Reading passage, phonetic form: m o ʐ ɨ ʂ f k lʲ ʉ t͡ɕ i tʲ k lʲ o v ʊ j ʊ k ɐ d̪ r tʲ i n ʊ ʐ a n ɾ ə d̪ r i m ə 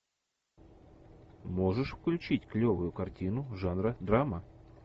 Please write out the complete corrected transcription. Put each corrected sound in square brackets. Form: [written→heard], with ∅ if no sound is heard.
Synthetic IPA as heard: m o ʐ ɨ ʂ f k lʲ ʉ t͡ɕ i tʲ k lʲ o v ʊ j ʊ k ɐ [d̪→∅] r tʲ i n ʊ ʐ a n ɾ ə d̪ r [i→a] m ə